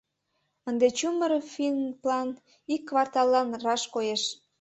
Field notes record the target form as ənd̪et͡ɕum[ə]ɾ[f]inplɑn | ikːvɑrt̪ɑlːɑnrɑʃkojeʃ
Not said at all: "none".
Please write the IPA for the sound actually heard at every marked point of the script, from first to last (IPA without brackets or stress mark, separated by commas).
ə, f